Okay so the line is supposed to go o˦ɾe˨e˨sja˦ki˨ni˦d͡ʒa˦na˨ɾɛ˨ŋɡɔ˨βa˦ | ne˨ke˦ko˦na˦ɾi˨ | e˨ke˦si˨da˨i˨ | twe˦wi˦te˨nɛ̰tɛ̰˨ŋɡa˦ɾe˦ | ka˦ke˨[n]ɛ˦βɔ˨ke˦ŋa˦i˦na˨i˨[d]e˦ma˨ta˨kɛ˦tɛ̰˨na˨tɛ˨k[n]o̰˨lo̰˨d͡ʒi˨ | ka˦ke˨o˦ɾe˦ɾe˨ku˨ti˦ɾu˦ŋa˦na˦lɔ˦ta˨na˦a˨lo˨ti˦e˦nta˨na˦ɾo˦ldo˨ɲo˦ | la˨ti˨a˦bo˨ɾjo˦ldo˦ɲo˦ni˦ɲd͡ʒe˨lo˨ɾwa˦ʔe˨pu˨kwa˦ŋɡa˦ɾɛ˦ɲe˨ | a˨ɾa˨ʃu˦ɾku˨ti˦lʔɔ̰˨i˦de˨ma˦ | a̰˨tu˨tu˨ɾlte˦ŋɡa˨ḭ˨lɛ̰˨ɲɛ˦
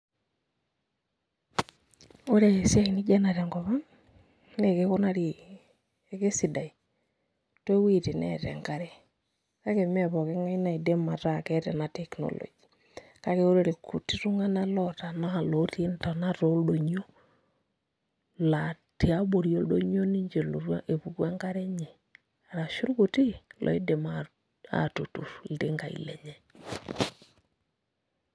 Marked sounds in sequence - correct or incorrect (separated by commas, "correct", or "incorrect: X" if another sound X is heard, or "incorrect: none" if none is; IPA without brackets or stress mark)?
incorrect: m, correct, correct